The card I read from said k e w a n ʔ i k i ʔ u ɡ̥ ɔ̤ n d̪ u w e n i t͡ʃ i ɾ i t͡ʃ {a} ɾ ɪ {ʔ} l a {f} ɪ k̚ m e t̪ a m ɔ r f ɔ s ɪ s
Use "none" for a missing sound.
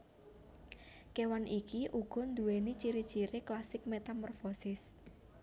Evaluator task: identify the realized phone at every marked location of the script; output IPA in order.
i, k, s

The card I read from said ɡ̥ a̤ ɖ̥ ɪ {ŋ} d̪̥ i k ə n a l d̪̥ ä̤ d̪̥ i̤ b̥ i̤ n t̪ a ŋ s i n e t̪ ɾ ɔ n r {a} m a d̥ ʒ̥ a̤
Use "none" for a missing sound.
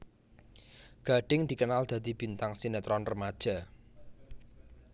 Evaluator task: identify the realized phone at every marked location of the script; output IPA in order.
ŋ, ə

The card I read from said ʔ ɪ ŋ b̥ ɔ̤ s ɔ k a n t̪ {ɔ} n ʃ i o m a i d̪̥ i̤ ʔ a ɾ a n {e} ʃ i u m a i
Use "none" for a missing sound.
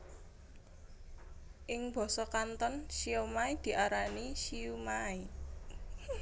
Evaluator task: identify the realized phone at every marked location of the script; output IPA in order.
ɔ, i

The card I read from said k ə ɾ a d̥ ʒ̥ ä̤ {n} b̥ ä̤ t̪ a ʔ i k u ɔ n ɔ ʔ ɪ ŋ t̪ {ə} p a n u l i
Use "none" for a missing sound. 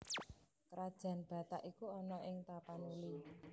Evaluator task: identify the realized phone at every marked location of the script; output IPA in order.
n, a

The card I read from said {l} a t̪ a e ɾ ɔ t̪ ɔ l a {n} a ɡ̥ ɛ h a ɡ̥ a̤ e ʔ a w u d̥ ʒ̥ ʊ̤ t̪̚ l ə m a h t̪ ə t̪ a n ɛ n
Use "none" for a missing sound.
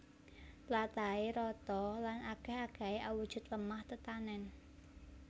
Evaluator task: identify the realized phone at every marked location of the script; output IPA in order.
l, n

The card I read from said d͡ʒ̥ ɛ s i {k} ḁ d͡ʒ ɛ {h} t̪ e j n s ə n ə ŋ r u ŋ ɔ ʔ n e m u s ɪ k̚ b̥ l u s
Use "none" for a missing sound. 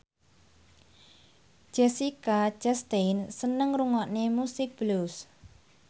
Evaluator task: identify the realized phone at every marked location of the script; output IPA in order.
k, s

